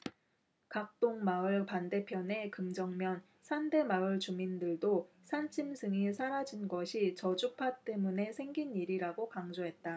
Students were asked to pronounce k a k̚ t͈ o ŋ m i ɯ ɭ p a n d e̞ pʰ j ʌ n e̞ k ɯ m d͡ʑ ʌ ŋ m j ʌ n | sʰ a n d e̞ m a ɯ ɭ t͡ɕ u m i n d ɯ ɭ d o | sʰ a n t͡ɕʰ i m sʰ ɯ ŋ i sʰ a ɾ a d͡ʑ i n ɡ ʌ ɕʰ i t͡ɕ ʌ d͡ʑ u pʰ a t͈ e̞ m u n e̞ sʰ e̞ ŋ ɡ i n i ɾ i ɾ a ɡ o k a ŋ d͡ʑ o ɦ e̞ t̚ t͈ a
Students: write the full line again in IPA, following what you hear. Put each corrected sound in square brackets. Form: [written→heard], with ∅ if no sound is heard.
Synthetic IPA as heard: k a k̚ t͈ o ŋ m [i→a] ɯ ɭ p a n d e̞ pʰ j ʌ n e̞ k ɯ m d͡ʑ ʌ ŋ m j ʌ n | sʰ a n d e̞ m a ɯ ɭ t͡ɕ u m i n d ɯ ɭ d o | sʰ a n t͡ɕʰ i m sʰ ɯ ŋ i sʰ a ɾ a d͡ʑ i n ɡ ʌ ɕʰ i t͡ɕ ʌ d͡ʑ u pʰ a t͈ e̞ m u n e̞ sʰ e̞ ŋ ɡ i n i ɾ i ɾ a ɡ o k a ŋ d͡ʑ o ɦ e̞ t̚ t͈ a

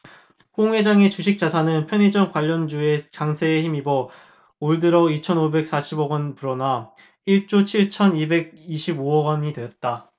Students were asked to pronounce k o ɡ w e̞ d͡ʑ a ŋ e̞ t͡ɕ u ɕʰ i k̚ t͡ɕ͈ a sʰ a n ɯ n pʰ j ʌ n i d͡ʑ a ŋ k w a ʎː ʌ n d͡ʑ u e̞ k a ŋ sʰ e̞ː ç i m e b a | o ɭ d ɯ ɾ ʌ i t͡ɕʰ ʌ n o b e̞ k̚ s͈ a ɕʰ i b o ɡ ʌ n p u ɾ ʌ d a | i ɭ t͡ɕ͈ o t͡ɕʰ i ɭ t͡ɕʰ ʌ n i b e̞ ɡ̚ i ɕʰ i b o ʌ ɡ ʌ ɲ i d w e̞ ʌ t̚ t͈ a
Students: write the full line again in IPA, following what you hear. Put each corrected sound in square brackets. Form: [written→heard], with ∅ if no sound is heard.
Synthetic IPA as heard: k o [ɡ→ŋ] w e̞ d͡ʑ a ŋ e̞ t͡ɕ u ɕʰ i k̚ t͡ɕ͈ a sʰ a n ɯ n pʰ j ʌ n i d͡ʑ [a→ʌ] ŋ k w a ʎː ʌ n d͡ʑ u e̞ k a ŋ sʰ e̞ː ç i m [e→i] b [a→ʌ] | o ɭ d ɯ ɾ ʌ i t͡ɕʰ ʌ n o b e̞ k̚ s͈ a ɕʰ i b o ɡ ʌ n p u ɾ ʌ [d→n] a | i ɭ t͡ɕ͈ o t͡ɕʰ i ɭ t͡ɕʰ ʌ n i b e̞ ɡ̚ i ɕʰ i b o ʌ ɡ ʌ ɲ i d w e̞ ʌ t̚ t͈ a

